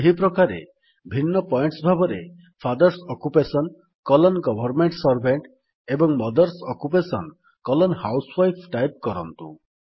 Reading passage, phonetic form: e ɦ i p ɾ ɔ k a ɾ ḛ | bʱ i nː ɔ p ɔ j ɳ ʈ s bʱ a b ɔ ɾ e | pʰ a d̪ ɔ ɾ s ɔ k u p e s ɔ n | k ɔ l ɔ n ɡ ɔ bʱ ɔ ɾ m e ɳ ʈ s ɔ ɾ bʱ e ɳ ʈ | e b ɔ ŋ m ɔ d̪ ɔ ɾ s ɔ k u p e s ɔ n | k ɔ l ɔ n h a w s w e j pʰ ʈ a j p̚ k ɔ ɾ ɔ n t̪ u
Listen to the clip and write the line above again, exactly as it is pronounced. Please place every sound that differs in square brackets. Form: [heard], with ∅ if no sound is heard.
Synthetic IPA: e ɦ i p ɾ ɔ k a ɾ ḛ | bʱ i nː ɔ p ɔ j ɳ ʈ s bʱ a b ɔ ɾ e | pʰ a d̪ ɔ ɾ s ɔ k u p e s ɔ n | k ɔ l ɔ n ɡ ɔ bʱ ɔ ɾ m e ɳ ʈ s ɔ ɾ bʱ e ɳ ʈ | e b ɔ ŋ m ɔ d̪ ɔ ɾ s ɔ k u p e s ɔ n | k ɔ l ɔ n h a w s w [a] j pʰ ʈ a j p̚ k ɔ ɾ ɔ n t̪ u